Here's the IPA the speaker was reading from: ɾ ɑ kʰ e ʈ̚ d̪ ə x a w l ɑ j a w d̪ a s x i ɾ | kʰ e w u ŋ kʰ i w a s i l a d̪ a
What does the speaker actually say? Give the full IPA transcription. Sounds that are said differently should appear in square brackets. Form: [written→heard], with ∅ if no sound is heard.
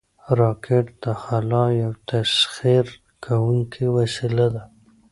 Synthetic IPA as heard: ɾ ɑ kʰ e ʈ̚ d̪ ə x a [w→∅] l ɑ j a w [d̪→t̪] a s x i ɾ | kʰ [e→a] w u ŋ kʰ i w a s i l a d̪ a